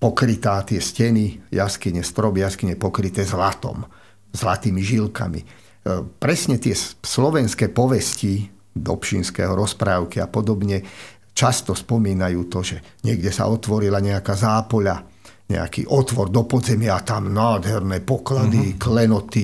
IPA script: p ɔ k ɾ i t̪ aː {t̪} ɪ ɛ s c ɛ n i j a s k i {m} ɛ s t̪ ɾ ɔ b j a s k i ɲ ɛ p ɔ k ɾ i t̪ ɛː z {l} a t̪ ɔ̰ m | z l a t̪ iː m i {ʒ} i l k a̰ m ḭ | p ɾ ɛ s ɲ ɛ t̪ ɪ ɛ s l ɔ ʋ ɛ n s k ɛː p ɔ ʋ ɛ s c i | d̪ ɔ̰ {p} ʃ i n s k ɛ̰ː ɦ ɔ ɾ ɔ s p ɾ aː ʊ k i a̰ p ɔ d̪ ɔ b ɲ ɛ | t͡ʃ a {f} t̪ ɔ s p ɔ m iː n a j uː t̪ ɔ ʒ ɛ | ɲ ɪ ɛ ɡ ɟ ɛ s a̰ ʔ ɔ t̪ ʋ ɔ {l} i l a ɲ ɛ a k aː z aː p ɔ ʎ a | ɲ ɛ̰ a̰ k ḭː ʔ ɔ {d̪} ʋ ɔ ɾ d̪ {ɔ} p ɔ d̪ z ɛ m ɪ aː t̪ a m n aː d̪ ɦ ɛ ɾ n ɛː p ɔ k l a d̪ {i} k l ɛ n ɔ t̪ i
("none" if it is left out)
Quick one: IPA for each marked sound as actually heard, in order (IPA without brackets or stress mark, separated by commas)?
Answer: t̪, ɲ, l, ʒ, p, s, ɾ, t̪, ɔ, i